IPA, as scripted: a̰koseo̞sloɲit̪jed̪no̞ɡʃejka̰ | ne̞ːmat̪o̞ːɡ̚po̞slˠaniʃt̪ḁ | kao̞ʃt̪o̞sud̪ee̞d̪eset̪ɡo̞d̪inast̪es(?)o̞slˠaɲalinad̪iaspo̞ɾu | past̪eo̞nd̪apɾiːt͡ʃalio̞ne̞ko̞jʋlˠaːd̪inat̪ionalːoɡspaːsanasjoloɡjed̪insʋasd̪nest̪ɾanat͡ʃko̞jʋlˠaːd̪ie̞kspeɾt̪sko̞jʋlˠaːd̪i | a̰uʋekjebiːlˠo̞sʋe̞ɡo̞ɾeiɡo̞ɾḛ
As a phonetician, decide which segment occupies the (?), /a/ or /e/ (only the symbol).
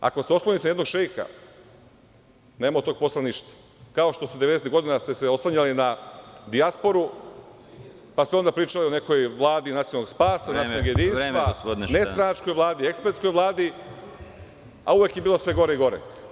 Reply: e